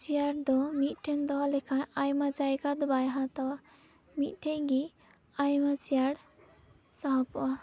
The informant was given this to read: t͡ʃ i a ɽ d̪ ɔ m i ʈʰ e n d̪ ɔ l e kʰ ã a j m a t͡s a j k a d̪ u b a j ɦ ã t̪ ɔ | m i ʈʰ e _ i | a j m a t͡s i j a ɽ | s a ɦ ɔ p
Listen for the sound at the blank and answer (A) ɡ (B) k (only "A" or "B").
A